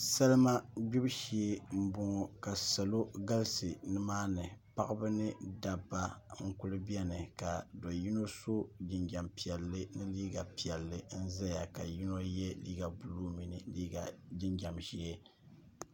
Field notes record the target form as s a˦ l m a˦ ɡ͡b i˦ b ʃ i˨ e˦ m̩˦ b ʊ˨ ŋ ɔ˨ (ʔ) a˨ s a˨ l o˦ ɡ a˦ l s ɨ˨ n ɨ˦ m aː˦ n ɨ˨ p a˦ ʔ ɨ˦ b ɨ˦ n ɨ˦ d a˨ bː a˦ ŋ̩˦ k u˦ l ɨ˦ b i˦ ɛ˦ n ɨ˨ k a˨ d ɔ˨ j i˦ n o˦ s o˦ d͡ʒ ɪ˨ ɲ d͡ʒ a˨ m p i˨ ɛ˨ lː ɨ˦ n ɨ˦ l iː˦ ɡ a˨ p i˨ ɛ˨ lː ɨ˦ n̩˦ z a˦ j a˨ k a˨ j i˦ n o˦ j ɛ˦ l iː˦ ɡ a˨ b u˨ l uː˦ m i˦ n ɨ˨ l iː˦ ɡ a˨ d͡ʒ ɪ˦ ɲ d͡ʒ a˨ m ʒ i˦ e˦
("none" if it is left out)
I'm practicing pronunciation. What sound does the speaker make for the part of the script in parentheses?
k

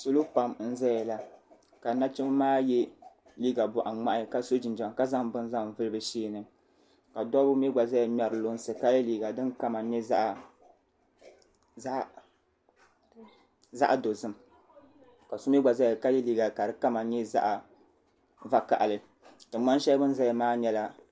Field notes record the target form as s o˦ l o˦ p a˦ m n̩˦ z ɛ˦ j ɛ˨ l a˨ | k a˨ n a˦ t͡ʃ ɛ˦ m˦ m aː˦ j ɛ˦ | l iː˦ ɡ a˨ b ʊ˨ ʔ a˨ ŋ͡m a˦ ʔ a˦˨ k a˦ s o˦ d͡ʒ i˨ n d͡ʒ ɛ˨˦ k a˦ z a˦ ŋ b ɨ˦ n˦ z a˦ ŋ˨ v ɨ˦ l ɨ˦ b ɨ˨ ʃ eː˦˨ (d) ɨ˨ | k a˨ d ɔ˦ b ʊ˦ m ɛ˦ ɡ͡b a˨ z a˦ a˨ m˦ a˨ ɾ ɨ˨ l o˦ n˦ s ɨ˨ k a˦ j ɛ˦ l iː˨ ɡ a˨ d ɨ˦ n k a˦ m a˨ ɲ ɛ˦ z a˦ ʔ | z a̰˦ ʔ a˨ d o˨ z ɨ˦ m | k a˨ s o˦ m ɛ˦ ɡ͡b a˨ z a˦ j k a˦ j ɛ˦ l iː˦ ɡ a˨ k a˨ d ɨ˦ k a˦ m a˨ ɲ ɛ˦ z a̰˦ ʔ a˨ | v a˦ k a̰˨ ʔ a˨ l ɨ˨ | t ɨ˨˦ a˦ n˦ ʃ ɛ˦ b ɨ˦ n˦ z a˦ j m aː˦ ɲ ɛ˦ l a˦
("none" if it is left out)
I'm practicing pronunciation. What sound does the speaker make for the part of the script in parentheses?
n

